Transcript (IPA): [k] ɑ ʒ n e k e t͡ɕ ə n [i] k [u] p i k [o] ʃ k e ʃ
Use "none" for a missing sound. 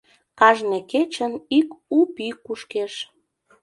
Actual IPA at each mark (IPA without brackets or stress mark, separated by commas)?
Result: k, i, u, u